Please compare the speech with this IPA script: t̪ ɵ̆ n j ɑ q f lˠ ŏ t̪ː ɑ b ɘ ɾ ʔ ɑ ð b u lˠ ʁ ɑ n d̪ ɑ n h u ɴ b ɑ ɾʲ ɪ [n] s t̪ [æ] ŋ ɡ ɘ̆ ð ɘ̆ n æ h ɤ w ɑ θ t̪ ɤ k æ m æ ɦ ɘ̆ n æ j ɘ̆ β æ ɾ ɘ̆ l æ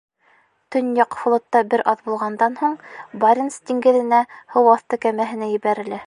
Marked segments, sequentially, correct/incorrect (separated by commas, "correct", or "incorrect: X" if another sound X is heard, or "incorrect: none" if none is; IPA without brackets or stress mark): correct, incorrect: i